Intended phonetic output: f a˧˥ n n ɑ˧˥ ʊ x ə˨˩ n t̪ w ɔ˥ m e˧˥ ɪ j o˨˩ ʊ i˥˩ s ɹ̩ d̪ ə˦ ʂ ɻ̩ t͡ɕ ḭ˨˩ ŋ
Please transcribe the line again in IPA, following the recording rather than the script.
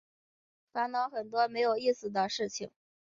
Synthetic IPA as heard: f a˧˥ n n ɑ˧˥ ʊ x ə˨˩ n t̪ w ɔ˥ m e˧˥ ɪ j o˨˩ ʊ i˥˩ s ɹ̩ d̪ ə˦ ʂ ɻ̩ t͡ɕʰ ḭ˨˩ ŋ

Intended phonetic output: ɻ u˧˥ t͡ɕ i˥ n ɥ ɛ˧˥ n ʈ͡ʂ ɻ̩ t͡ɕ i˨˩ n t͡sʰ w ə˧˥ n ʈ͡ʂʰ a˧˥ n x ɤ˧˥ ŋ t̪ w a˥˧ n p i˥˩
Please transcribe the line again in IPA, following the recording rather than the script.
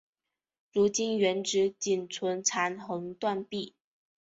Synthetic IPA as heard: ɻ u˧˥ t͡ɕ i˥ n ɥ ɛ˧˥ n ʈ͡ʂ ɻ̩ t͡ɕ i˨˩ n t͡sʰ w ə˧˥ n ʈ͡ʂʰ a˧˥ n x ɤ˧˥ ŋ t̪ w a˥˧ n p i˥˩

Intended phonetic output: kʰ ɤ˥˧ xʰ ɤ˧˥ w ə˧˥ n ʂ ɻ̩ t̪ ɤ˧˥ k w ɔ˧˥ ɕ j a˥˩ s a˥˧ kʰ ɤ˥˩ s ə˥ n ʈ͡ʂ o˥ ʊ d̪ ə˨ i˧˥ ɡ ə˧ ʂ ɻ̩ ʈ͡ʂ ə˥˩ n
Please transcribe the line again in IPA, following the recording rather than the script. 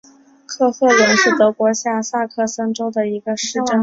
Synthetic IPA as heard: kʰ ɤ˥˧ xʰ ɤ˥˩ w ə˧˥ n ʂ ɻ̩ t̪ ɤ˧˥ k w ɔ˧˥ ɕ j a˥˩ s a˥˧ kʰ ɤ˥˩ s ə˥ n ʈ͡ʂ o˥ ʊ d̪ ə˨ i˧˥ ɡ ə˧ ʂ ɻ̩ ʈ͡ʂ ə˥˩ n

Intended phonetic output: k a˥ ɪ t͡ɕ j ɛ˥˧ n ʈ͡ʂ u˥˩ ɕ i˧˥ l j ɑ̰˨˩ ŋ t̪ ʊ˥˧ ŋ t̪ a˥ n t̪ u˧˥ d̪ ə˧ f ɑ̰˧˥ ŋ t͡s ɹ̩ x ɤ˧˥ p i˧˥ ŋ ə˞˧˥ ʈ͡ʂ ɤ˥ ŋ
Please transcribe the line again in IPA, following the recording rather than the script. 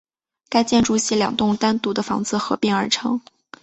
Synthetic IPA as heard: k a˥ ɪ t͡ɕ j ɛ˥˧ n ʈ͡ʂ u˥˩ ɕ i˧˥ l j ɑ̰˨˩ ŋ t̪ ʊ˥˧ ŋ t̪ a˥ n t̪ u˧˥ d̪ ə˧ f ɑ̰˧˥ ŋ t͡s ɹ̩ x ɤ˧˥ p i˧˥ ŋ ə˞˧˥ ʈ͡ʂʰ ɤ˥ ŋ

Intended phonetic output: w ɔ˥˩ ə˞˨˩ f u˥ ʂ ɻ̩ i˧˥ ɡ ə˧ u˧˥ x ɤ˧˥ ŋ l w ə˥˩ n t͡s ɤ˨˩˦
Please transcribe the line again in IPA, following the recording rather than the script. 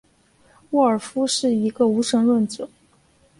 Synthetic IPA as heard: w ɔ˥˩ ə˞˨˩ f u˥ ʂ ɻ̩ i˧˥ ɡ ə˧ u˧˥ ʂ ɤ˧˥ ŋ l w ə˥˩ n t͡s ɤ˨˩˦

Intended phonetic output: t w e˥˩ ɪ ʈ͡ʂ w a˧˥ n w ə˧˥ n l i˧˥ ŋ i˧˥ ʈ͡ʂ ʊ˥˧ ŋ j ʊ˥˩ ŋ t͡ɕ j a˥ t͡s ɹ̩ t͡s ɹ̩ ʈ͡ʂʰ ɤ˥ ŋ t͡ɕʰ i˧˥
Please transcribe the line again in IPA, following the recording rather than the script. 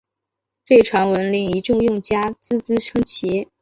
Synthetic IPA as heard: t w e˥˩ ɪ ʈ͡ʂʰ w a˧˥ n w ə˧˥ n l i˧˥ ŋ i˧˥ ʈ͡ʂ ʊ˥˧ ŋ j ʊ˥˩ ŋ t͡ɕ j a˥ t͡s ɹ̩ t͡s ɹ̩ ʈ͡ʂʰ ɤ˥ ŋ t͡ɕʰ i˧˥

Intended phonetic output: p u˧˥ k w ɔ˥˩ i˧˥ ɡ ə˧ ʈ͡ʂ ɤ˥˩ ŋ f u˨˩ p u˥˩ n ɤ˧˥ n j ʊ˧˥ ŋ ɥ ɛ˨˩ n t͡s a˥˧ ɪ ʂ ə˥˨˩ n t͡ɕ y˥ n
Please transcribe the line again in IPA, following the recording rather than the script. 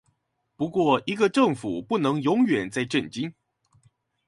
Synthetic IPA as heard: p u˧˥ k w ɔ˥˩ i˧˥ ɡ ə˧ ʈ͡ʂ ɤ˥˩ ŋ f u˨˩ p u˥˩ n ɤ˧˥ ŋ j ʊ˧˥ ŋ ɥ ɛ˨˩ n t͡s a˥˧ ɪ ʈ͡ʂ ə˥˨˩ n t͡ɕ i˥ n

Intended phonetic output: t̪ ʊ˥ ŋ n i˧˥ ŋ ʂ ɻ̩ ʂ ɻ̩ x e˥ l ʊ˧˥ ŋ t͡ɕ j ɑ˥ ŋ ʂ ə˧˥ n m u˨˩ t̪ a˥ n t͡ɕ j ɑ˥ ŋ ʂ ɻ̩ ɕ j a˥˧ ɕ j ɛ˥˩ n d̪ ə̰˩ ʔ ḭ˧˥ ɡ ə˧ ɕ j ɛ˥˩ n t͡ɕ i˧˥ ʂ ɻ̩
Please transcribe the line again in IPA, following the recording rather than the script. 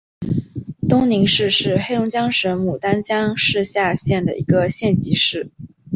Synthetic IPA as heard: t̪ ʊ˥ ŋ n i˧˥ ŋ ʂ ɻ̩ ʂ ɻ̩ x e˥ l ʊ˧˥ ŋ t͡ɕ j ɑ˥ ŋ ʂ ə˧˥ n m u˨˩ t̪ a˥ n t͡ɕ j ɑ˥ ŋ ʂ ɻ̩ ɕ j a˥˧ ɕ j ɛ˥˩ n d̪ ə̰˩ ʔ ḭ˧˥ ɡ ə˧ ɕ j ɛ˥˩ n t͡ɕ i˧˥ ʂ ɻ̩

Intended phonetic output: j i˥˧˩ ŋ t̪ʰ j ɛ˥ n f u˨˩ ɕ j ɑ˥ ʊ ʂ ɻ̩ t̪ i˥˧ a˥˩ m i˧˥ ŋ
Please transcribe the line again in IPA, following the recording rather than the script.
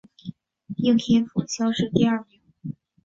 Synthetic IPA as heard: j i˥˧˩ ŋ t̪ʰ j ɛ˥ n f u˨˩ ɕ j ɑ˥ ʊ ʂ ɻ̩ t̪ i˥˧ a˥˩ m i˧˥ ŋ

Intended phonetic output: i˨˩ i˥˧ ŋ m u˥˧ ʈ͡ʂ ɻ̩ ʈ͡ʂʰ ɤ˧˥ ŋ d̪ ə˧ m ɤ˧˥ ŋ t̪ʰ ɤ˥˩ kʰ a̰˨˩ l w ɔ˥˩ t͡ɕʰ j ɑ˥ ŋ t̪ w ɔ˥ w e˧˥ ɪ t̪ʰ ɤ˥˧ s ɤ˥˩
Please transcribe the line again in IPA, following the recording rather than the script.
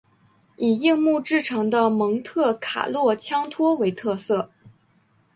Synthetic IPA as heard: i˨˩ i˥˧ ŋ m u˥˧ ʈ͡ʂ ɻ̩ ʈ͡ʂʰ ɤ˧˥ ŋ d̪ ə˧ m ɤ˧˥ ŋ t̪ʰ ɤ˥˩ kʰ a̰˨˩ l w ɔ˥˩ t͡ɕʰ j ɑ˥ ŋ t̪ʰ w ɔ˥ w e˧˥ ɪ t̪ʰ ɤ˥˧ s ɤ˥˩

